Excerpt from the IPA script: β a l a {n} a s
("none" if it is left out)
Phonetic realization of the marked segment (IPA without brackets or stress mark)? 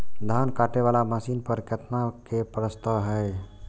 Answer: m